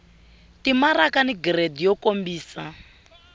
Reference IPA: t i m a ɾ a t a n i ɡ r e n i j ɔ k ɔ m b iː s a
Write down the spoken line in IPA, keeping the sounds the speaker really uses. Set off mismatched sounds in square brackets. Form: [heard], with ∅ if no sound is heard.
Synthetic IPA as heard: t i m a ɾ a [k] a n i ɡ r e [d] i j ɔ k [o] m b iː s a